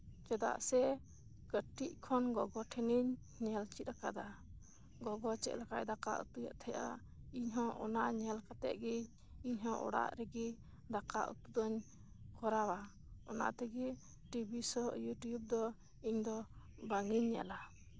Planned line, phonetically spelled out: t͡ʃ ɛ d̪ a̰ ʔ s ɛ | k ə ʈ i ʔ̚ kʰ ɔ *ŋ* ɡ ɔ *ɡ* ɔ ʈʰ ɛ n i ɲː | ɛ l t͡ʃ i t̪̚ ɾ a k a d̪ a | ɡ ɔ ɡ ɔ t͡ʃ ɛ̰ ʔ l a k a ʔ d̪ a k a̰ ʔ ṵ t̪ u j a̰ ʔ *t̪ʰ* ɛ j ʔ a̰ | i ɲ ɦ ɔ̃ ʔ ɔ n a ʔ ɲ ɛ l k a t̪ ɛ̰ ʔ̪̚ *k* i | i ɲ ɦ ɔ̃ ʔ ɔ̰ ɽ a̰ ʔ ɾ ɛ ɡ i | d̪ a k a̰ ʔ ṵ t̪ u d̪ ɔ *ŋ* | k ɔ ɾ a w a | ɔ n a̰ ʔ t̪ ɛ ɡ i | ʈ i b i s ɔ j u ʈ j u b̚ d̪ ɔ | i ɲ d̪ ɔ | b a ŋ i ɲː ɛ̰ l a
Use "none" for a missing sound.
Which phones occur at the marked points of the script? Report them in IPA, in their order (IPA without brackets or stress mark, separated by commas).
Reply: n, ɡ, t̪ʰ, ɡ, ɲ